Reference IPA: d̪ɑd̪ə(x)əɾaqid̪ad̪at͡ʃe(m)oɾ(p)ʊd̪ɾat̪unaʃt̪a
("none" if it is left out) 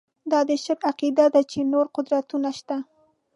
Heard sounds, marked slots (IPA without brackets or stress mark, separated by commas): ʃ, n, q